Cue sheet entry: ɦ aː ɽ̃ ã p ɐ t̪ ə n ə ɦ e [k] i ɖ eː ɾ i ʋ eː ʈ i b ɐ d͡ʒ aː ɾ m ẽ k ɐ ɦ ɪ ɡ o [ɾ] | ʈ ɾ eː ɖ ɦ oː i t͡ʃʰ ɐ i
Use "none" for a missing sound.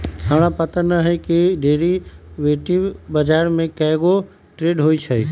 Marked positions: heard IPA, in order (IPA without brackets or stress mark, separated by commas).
k, none